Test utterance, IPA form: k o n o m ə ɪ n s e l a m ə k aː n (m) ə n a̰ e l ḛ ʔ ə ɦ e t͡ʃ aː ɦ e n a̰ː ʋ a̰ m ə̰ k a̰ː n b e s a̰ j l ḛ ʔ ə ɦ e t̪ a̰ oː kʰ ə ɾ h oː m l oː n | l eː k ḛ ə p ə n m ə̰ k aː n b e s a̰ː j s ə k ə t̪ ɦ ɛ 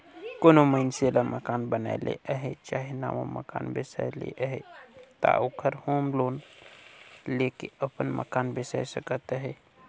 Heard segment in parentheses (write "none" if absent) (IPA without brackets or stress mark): b